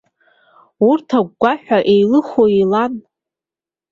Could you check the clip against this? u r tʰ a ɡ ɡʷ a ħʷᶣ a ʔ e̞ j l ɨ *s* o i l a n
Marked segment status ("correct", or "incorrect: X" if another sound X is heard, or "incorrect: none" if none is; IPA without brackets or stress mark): incorrect: χ